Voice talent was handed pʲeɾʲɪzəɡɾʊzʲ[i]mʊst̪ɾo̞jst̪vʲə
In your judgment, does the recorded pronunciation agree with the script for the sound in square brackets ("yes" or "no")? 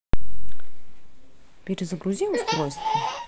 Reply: yes